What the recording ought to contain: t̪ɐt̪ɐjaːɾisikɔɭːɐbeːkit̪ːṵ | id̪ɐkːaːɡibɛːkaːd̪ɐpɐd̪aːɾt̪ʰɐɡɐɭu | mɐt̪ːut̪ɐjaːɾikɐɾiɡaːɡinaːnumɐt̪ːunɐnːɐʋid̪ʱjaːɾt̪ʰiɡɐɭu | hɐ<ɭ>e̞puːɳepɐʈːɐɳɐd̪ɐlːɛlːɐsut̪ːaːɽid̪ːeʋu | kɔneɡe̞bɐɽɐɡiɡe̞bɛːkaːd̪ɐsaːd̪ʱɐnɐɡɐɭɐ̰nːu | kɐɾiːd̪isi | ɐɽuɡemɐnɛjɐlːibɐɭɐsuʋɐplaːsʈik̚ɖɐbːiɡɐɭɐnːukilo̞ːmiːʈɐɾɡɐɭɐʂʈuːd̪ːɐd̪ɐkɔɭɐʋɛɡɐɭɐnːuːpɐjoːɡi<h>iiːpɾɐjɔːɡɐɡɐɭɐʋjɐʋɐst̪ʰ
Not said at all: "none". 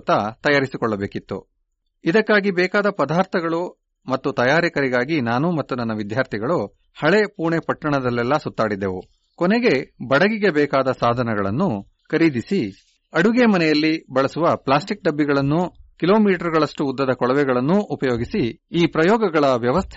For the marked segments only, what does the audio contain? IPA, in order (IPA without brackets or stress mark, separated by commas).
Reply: ɭ, s